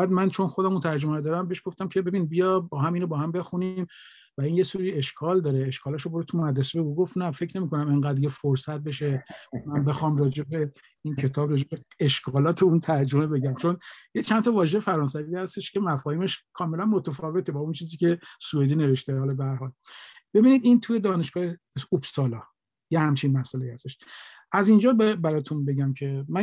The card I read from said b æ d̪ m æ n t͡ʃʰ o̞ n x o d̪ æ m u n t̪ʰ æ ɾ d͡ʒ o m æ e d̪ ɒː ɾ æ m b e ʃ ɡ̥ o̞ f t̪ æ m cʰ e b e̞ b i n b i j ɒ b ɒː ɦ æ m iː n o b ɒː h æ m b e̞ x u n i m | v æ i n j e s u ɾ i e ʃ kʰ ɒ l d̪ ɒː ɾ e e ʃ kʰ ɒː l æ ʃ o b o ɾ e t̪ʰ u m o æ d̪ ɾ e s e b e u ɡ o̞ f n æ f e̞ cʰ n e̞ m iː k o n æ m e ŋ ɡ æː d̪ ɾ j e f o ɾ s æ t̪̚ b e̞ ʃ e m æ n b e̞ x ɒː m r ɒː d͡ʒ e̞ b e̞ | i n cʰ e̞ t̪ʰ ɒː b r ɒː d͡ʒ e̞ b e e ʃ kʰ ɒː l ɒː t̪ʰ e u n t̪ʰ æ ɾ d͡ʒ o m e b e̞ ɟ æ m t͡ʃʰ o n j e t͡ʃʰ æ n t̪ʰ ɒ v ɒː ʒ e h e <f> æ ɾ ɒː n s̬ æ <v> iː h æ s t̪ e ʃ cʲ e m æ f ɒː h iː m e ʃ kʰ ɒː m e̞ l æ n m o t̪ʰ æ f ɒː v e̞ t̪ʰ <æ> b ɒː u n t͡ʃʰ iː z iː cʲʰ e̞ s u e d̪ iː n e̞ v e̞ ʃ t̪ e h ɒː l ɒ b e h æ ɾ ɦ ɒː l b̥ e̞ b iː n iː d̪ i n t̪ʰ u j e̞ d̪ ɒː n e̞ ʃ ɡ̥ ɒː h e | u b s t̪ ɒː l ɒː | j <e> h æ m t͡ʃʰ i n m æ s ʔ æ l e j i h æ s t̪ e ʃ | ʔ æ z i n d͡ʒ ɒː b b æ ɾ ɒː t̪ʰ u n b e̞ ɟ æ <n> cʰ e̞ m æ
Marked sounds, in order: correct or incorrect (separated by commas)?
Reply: correct, correct, incorrect, correct, incorrect